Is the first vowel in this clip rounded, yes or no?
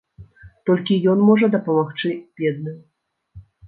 yes